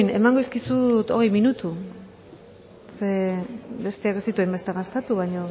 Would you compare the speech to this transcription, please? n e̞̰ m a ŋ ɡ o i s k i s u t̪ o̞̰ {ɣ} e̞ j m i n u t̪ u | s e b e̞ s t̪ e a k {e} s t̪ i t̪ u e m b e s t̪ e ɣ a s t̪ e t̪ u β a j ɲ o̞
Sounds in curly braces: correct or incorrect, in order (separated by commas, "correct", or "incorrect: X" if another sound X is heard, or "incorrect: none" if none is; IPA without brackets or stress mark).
correct, correct